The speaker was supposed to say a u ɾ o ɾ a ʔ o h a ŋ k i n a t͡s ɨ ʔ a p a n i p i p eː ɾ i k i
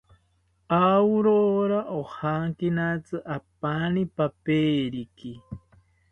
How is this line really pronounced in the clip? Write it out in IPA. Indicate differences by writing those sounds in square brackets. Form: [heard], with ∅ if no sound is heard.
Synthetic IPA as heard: a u ɾ o ɾ a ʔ o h a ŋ k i n a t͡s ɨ ʔ a p a n i p [a] p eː ɾ i k i